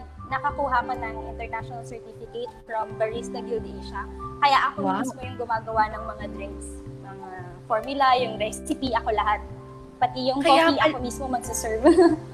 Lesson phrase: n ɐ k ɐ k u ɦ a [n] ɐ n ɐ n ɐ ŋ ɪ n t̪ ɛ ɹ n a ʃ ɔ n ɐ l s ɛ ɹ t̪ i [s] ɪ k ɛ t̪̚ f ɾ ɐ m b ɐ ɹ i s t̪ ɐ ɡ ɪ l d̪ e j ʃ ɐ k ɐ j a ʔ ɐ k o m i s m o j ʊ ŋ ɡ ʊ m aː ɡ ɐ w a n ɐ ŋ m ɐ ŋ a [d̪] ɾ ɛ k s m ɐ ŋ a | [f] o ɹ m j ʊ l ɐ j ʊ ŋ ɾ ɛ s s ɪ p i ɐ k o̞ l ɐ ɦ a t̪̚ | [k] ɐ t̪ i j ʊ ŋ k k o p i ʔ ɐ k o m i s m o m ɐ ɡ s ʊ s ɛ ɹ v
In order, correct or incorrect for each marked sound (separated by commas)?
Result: incorrect, incorrect, correct, correct, incorrect